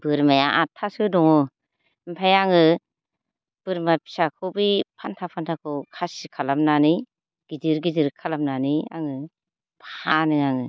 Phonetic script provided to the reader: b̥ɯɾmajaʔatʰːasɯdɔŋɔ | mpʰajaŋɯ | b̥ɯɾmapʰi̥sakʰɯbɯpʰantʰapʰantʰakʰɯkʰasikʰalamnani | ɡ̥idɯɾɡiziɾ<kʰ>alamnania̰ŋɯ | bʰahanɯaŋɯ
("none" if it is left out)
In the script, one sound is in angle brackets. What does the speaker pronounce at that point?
kʰ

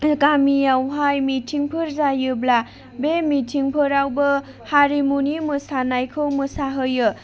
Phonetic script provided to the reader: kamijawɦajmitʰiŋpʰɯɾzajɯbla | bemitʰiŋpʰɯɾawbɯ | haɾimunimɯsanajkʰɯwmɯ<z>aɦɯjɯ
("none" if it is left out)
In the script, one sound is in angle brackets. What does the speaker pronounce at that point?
s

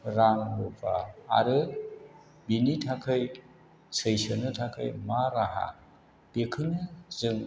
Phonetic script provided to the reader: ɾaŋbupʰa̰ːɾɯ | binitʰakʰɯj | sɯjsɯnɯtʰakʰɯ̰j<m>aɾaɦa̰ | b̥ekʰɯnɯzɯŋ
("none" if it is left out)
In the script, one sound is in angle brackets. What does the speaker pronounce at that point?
m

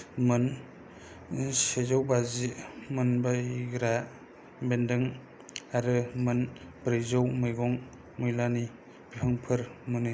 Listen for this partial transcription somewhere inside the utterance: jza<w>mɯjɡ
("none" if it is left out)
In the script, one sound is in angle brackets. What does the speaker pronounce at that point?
w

